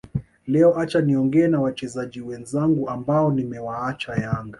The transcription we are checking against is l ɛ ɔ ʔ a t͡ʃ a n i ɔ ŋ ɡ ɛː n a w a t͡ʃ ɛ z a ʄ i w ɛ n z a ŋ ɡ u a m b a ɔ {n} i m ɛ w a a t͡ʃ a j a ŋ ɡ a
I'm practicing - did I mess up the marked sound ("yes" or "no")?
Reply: no